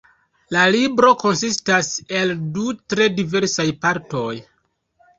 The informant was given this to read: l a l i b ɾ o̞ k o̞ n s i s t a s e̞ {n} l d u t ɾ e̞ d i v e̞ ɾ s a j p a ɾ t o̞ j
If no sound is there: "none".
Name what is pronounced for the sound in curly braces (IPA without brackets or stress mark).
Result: none